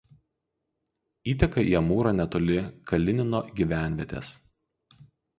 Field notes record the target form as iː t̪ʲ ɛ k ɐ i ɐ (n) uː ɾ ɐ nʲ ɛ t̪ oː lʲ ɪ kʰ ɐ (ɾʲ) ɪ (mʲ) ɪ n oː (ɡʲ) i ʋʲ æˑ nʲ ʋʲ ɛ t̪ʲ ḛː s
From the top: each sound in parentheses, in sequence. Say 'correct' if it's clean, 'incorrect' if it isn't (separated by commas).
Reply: incorrect, incorrect, incorrect, correct